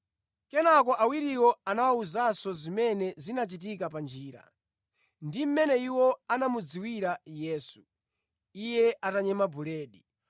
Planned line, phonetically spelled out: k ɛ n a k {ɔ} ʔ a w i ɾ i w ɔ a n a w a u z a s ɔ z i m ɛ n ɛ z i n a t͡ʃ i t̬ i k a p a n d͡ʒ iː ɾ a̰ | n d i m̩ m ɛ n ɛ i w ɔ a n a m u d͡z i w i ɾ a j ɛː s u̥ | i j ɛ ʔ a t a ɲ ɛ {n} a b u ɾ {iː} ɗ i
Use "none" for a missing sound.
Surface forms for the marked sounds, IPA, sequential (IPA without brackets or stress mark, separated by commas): ɔ, m, ɛː